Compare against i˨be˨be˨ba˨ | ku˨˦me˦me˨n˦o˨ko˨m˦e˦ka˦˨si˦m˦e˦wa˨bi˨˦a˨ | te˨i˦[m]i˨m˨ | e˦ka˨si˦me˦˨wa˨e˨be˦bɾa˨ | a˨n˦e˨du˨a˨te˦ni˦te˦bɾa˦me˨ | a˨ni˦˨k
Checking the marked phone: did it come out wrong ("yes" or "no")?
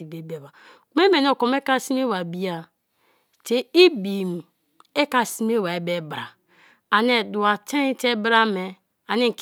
yes